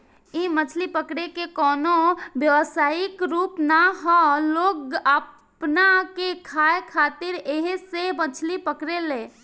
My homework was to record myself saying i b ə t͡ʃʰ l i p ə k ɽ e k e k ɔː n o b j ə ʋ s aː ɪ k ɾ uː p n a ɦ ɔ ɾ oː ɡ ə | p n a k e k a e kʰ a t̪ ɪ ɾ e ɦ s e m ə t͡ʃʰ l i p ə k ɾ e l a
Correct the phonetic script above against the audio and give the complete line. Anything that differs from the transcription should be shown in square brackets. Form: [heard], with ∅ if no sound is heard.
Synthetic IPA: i [m] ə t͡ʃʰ l i p ə k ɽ e k e k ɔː n o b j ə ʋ s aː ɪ k ɾ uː p n a ɦ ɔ [l] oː ɡ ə | p n a k e [kʰ] a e kʰ a t̪ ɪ ɾ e ɦ s e m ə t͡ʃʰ l i p ə k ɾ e l [e]